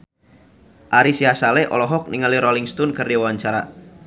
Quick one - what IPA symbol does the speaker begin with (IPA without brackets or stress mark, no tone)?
ʔ